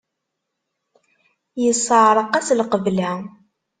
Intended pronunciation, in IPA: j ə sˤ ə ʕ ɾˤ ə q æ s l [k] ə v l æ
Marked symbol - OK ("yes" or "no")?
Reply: no